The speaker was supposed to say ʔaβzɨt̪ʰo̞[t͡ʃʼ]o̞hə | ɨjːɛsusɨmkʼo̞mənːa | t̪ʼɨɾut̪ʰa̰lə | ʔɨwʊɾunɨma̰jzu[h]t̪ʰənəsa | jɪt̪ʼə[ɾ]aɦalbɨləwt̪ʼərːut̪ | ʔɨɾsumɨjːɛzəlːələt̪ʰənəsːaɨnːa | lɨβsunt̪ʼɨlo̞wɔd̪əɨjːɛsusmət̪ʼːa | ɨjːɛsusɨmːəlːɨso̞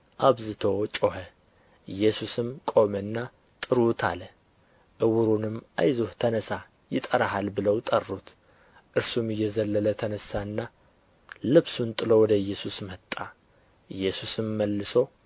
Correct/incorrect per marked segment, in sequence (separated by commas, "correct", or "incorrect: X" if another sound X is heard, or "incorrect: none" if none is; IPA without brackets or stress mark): correct, correct, correct